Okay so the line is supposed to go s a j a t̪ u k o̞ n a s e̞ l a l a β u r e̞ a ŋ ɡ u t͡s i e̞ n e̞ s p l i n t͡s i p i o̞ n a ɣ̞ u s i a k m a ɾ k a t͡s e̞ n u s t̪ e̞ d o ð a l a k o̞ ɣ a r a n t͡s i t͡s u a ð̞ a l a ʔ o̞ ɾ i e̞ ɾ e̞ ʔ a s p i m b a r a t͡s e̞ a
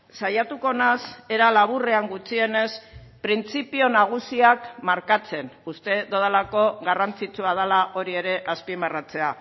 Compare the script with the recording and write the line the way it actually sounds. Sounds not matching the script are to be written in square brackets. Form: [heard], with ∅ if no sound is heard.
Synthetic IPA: s a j a t̪ u k o̞ n a s e̞ [ɾ] a l a β u r e̞ a ŋ ɡ u t͡s i e̞ n e̞ s p [ɾ] i n t͡s i p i o̞ n a ɣ̞ u s i a k m a ɾ k a t͡s e̞ n u s t̪ e̞ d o ð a l a k o̞ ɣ a r a n t͡s i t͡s u a ð̞ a l a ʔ o̞ ɾ i e̞ ɾ e̞ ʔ a s p i m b a r a t͡s e̞ a